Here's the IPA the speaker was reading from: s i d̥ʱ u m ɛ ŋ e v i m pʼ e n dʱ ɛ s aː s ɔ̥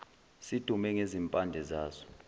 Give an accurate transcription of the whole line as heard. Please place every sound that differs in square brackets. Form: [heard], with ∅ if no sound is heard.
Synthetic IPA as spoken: s i d̥ʱ u m ɛ ŋ e [z] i m pʼ [a] n dʱ ɛ [z] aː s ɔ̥